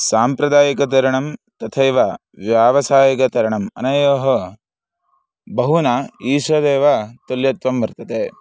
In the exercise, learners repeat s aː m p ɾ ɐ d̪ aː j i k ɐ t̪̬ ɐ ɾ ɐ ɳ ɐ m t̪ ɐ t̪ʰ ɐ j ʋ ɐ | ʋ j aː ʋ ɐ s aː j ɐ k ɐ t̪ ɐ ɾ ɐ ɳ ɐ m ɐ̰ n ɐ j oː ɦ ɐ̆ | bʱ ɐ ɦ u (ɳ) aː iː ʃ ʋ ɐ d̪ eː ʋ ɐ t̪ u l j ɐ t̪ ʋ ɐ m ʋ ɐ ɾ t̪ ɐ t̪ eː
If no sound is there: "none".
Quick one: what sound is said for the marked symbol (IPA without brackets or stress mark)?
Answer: n